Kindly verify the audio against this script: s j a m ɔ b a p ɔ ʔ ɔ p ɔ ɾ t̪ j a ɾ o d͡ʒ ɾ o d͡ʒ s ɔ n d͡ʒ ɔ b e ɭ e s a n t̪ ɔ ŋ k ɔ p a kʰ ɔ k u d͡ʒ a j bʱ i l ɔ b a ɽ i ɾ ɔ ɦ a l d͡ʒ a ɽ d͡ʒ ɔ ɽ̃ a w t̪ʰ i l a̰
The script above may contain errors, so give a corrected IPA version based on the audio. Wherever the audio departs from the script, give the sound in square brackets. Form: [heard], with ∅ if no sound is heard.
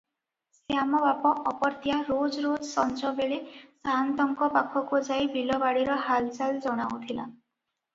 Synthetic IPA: s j a m ɔ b a p ɔ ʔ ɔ p ɔ ɾ t̪ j a ɾ o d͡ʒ ɾ o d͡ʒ s ɔ n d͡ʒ ɔ b e ɭ e s a n t̪ ɔ ŋ k ɔ p a kʰ ɔ k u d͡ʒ a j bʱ i l ɔ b a ɽ i ɾ ɔ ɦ a l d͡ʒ a [l] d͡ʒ ɔ ɽ̃ a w t̪ʰ i l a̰